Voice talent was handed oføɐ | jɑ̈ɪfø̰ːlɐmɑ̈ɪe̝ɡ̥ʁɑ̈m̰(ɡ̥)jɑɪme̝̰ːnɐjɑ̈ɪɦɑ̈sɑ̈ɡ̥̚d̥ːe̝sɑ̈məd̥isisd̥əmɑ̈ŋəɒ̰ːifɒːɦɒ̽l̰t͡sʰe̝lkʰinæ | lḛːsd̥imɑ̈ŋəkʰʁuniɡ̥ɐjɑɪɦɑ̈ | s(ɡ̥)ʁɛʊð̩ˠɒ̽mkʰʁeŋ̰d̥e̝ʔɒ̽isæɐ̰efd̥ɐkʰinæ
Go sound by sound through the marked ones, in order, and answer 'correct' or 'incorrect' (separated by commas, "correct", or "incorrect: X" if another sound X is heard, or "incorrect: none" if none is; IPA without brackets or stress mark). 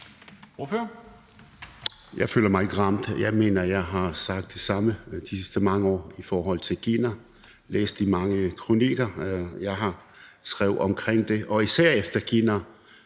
incorrect: d̥, correct